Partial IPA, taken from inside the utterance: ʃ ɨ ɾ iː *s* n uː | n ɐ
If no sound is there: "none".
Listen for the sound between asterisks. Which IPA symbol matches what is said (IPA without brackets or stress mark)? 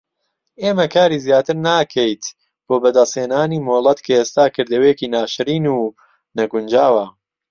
none